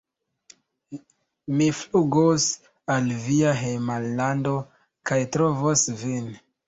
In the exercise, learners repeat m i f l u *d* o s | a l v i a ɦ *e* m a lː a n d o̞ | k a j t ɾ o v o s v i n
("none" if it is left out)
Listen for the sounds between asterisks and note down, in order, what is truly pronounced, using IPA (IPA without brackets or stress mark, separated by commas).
ɡ, e